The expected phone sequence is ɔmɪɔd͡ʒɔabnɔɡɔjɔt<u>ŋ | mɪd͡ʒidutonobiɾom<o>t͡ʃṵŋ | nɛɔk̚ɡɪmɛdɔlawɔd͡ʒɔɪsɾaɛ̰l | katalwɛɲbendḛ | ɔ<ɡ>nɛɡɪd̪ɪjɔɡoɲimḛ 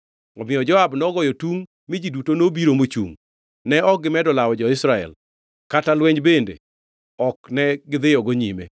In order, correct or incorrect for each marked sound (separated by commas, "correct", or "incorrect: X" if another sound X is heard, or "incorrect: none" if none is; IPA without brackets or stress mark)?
correct, correct, incorrect: k